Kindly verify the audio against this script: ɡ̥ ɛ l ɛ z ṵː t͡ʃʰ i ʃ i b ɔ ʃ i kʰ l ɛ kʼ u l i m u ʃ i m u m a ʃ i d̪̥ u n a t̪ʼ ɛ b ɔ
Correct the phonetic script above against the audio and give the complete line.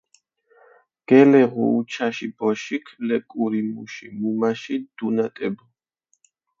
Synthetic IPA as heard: ɡ̥ ɛ l ɛ ʁ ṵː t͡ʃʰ a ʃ i b ɔ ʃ i kʰ l ɛ kʼ u ɾ i m u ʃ i m u m a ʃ i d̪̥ u n a t̪ʼ ɛ b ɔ

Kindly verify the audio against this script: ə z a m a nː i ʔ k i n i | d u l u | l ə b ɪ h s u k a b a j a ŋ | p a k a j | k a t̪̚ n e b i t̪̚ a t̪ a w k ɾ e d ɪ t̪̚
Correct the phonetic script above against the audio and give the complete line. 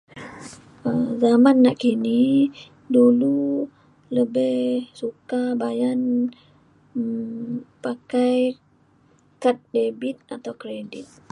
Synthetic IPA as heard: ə z a m a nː a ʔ k i n i | d u l u | l ə b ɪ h s u k a b a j a n | p a k a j | k a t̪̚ d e b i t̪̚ a t̪ a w k ɾ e d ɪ t̪̚

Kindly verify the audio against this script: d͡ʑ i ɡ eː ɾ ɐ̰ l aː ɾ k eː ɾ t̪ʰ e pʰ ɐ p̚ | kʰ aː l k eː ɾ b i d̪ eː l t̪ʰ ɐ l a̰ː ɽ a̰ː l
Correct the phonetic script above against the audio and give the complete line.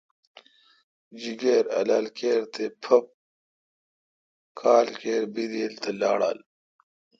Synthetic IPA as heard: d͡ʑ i ɡ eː ɾ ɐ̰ l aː l k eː ɾ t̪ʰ e pʰ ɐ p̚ | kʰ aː l k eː ɾ b i d̪ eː l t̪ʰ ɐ l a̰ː ɽ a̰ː l

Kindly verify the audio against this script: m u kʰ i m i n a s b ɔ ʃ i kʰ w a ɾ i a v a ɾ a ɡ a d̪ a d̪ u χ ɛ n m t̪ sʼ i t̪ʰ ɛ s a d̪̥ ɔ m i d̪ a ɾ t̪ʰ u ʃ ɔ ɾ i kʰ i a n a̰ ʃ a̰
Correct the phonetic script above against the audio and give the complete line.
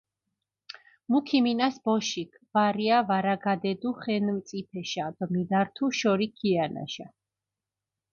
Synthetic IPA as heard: m u kʰ i m i n a s b ɔ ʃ i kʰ v a ɾ i a v a ɾ a ɡ a d̪ ɛ d̪ u χ ɛ n m t̪ sʼ i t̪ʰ ɛ ʃ a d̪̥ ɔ m i d̪ a ɾ t̪ʰ u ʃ ɔ ɾ i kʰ i a n a̰ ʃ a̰

